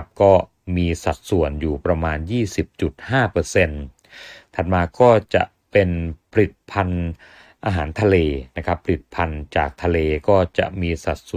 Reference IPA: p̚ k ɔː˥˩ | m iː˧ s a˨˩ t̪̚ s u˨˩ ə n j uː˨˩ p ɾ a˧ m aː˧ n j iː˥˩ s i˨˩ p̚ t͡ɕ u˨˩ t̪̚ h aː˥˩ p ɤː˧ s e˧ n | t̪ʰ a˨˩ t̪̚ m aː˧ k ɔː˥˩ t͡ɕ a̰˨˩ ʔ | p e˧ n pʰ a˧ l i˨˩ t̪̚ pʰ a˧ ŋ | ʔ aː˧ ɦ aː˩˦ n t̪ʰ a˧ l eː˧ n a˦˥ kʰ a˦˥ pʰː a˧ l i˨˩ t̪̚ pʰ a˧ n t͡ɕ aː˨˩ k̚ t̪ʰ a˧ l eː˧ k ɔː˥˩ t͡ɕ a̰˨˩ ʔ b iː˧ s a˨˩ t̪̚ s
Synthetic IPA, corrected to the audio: p̚ k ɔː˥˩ | m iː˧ s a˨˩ t̪̚ s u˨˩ ə n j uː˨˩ p ɾ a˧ m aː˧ n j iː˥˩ s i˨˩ p̚ t͡ɕ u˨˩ t̪̚ h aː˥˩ p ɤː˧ s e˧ n | t̪ʰ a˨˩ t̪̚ m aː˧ k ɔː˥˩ t͡ɕ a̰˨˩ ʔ | p e˧ n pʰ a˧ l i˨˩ t̪̚ pʰ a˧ n | ʔ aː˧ ɦ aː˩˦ n t̪ʰ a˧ l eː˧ n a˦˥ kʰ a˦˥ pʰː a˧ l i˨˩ t̪̚ pʰ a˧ n t͡ɕ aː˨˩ k̚ t̪ʰ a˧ l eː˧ k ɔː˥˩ t͡ɕ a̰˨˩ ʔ m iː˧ s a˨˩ t̪̚ s